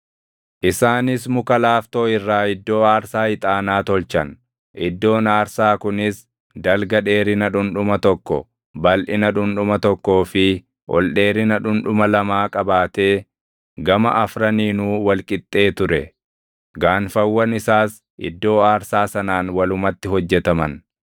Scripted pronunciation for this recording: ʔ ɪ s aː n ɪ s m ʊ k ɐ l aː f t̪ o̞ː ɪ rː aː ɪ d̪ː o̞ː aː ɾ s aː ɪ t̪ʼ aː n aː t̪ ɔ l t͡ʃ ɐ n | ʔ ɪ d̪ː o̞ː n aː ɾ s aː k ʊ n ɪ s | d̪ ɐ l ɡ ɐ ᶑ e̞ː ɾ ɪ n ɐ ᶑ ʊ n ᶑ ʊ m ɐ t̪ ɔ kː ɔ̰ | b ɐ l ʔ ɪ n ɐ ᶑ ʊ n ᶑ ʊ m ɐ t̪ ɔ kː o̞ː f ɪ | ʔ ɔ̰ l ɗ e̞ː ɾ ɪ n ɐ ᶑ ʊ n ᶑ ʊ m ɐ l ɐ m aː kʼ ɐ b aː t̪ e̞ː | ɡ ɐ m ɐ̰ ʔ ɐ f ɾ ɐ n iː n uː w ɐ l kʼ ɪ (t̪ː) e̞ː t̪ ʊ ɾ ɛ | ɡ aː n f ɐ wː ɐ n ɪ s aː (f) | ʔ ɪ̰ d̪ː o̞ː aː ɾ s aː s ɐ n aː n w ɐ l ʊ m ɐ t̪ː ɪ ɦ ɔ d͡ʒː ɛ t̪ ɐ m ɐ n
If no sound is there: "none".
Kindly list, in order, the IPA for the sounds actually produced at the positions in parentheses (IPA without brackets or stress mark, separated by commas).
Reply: t̪ʼː, s